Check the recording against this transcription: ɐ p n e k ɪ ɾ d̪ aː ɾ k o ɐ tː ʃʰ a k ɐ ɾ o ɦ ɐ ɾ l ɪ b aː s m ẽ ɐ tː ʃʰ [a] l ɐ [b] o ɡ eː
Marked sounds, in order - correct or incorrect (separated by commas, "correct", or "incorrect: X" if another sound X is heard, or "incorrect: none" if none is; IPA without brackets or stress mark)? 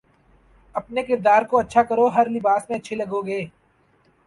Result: incorrect: e, incorrect: ɡ